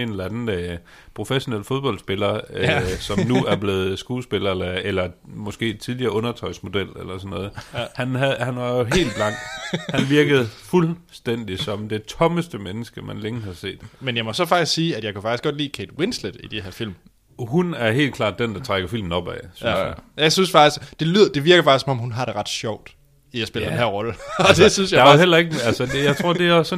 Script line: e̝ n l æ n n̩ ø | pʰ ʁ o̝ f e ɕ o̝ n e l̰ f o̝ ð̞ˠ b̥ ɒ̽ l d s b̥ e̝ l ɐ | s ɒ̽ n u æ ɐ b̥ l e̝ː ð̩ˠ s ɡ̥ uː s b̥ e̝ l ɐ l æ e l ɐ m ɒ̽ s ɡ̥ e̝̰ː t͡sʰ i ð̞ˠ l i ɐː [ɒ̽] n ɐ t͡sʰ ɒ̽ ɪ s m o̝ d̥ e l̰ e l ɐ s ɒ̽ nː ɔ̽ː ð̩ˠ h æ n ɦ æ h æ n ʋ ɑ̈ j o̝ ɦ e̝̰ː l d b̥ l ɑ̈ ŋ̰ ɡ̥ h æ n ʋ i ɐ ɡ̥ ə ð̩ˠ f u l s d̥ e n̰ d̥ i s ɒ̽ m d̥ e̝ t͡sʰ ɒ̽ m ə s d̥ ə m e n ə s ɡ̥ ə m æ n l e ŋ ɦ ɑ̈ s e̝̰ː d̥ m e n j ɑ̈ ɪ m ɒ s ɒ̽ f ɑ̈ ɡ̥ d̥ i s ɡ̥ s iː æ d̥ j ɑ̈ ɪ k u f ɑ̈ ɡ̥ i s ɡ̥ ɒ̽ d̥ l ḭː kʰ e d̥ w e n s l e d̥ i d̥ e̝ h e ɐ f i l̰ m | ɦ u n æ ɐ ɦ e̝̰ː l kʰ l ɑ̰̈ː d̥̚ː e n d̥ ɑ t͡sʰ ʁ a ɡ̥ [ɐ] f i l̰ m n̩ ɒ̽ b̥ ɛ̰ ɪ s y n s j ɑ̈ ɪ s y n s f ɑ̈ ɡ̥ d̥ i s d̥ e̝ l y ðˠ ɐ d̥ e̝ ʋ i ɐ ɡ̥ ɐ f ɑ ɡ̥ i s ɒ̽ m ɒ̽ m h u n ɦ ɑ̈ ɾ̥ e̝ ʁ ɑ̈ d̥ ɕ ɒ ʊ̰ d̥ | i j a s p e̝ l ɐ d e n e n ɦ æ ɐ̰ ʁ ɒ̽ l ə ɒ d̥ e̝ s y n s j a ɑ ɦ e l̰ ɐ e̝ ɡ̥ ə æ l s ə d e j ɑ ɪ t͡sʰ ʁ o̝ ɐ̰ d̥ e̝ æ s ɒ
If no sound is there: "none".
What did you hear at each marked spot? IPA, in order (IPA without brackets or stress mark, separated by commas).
ɔ̽, ɐ